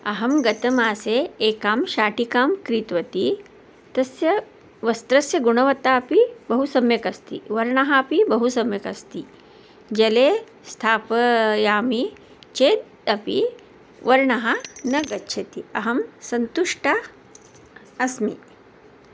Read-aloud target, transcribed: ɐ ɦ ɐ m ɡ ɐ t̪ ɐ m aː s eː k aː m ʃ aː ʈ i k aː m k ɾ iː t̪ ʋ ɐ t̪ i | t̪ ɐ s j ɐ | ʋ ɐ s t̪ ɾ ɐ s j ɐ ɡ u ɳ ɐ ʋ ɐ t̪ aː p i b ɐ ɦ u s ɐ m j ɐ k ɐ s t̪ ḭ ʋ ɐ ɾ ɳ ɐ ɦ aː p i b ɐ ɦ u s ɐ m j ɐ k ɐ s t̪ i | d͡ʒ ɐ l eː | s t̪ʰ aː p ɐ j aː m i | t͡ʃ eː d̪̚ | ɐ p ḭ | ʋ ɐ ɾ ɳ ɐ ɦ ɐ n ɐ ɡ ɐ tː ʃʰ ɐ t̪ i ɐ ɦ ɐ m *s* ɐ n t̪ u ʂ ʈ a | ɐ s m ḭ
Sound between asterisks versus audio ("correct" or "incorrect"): correct